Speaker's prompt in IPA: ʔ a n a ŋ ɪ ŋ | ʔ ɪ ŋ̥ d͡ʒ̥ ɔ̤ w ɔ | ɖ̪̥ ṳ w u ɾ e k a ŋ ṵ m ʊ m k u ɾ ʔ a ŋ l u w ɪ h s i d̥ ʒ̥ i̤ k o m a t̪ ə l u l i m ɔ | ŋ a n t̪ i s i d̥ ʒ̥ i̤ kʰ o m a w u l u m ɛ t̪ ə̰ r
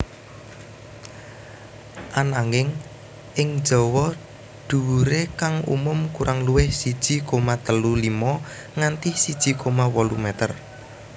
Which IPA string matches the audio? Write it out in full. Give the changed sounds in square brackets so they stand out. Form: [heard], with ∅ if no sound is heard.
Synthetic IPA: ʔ a n a ŋ ɪ ŋ | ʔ ɪ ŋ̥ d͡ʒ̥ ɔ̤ w ɔ | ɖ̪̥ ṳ w u ɾ e k a ŋ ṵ m ʊ m k u ɾ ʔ a ŋ l u w ɪ h s i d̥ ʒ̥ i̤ k o m a t̪ ə l u l i m ɔ | ŋ a n t̪ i s i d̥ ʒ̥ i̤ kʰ o m a w [ɔ] l u m ɛ t̪ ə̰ r